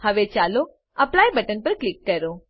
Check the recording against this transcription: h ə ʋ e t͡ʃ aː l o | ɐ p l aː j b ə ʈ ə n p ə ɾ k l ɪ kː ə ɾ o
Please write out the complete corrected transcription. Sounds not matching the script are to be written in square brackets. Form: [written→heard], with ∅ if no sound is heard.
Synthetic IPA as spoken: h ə ʋ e t͡ʃ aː l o | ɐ p l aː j b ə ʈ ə n p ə ɾ k l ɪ kː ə ɾ o

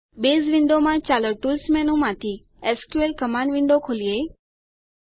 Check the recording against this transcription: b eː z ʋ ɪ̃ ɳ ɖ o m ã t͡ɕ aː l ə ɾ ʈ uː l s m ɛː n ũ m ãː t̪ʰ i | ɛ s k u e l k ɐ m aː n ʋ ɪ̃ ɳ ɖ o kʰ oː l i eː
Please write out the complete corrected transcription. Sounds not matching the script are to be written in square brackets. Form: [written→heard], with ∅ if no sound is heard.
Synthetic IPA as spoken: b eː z ʋ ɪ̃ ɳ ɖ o m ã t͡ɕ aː l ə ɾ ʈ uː l s m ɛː n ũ m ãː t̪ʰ i | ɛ s k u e l k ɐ m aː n ʋ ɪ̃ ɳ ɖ o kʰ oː l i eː

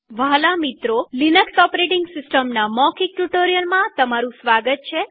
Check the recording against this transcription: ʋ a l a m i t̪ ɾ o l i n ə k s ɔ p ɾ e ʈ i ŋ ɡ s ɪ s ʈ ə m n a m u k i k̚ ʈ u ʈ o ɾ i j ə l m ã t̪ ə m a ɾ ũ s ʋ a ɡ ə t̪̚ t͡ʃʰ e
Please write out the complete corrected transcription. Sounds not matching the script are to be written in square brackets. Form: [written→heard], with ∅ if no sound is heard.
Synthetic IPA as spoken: ʋ a l a m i t̪ ɾ o l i n ə k s ɔ p ɾ e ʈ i ŋ ɡ s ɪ s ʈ ə m n a m [u→ɔ] k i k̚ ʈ u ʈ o ɾ i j ə l m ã t̪ ə m a ɾ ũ s ʋ a ɡ ə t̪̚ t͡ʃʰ e

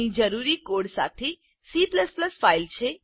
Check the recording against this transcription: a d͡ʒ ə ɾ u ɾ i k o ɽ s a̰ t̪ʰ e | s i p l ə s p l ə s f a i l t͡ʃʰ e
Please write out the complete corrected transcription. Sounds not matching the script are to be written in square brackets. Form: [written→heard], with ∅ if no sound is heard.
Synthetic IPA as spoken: [a→i] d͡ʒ ə ɾ u ɾ i k o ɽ s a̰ t̪ʰ e | s i p l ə s p l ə s f a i l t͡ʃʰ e

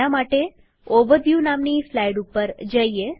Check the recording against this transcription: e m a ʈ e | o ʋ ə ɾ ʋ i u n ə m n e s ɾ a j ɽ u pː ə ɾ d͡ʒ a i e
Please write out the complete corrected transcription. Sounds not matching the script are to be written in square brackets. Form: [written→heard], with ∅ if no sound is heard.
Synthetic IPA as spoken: [e→a] m a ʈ e | o ʋ ə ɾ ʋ [i→j] u n [ə→a] m n [e→i] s [ɾ→l] a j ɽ u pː ə ɾ d͡ʒ [a→ə] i e

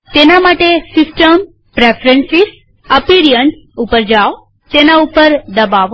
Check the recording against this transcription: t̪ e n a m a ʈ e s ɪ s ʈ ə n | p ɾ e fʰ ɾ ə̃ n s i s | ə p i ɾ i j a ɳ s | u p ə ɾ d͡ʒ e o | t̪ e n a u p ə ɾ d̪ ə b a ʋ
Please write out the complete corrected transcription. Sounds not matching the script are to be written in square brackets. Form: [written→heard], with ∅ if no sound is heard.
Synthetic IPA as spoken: t̪ e n a m a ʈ e s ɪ s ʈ ə [n→m] | p ɾ e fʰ ɾ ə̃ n s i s | ə p i ɾ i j [a→ə] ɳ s | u p ə ɾ d͡ʒ [e→a] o | t̪ e n a u p ə ɾ d̪ ə b a ʋ

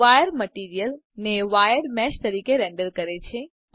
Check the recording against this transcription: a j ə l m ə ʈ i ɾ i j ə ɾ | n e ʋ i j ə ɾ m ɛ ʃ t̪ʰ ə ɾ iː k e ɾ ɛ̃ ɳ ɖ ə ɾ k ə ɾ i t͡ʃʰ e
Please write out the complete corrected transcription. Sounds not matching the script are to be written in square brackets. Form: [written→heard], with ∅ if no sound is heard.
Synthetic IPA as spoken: a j ə [l→ɾ] m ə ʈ i ɾ i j ə [ɾ→l] | n e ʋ [i→a] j ə ɾ m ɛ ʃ [t̪ʰ→t̪] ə ɾ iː k e ɾ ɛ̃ ɳ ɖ ə ɾ k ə ɾ [i→e] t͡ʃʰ e

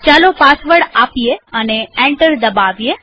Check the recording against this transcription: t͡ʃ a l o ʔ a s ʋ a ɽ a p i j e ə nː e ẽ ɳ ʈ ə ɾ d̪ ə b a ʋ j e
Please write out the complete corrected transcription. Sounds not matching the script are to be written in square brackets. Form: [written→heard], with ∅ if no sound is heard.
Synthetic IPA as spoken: t͡ʃ a l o [ʔ→p] a s ʋ [a→ə] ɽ a p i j e ə [nː→n] e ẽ ɳ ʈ ə ɾ d̪ ə b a ʋ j e

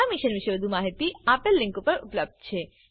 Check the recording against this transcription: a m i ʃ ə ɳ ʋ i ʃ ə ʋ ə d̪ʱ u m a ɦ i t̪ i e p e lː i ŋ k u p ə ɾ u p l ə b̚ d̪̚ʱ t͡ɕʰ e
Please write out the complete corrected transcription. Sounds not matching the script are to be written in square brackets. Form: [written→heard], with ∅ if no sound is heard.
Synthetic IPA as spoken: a m i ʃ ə [ɳ→n] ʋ i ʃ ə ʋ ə d̪ʱ u m a ɦ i t̪ i [e→a] p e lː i ŋ k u p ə ɾ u p l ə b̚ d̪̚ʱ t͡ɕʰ e

